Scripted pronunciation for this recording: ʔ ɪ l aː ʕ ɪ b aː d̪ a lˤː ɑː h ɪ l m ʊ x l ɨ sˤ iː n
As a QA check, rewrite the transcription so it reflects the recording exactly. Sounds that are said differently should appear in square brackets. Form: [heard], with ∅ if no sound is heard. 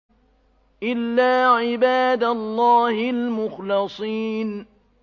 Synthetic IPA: ʔ ɪ [lː] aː ʕ ɪ b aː d̪ a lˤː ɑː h ɪ l m ʊ x l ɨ sˤ iː n